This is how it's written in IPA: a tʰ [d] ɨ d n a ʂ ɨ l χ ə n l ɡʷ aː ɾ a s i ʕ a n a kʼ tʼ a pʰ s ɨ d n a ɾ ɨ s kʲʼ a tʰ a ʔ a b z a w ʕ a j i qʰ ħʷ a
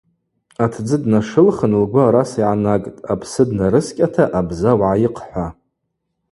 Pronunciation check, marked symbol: incorrect: d͡z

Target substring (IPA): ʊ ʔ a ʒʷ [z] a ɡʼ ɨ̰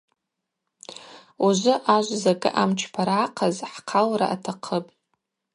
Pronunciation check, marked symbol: correct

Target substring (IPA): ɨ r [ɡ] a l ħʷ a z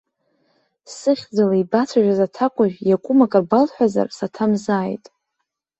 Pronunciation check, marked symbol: incorrect: b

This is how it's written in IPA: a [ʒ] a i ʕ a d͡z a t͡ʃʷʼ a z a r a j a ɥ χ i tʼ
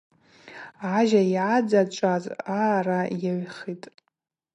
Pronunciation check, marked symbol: correct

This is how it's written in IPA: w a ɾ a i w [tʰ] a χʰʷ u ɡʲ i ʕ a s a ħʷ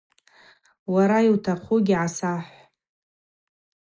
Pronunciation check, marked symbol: correct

